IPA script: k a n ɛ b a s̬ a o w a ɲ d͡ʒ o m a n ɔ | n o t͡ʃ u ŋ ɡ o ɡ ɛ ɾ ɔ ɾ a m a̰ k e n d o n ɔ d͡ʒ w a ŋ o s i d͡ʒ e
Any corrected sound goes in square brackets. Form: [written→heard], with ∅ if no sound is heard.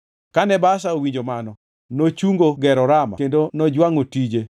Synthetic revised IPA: k a n ɛ b a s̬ a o w [a→i] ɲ d͡ʒ o m a n ɔ | n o t͡ʃ u ŋ ɡ o ɡ ɛ ɾ ɔ ɾ a m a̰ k e n d o n ɔ d͡ʒ w a ŋ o [s→t] i d͡ʒ e